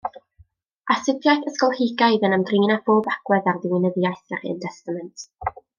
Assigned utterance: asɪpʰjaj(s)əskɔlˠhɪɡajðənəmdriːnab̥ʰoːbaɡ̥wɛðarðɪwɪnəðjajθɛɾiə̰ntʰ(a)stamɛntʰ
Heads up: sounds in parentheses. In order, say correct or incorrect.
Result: incorrect, incorrect

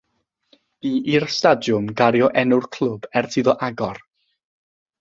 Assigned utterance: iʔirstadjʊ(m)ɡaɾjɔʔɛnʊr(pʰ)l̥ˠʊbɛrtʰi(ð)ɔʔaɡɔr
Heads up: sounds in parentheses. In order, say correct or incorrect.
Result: correct, incorrect, correct

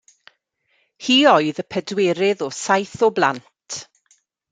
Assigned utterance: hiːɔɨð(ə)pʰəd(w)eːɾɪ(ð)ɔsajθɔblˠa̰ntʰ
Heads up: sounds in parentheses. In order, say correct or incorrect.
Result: correct, correct, correct

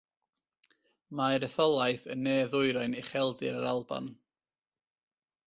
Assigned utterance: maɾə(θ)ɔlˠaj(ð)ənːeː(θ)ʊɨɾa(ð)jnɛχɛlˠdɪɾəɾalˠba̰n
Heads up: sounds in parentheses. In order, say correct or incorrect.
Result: correct, incorrect, incorrect, incorrect

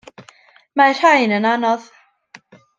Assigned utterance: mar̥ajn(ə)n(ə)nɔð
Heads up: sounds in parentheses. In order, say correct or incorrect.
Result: correct, incorrect

